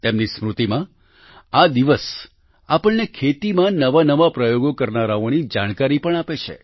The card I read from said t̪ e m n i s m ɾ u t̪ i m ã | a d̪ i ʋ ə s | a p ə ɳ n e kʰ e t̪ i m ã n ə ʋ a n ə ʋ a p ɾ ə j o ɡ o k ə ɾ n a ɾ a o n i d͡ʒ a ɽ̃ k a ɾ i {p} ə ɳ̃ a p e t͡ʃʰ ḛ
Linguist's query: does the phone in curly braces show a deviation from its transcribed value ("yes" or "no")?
no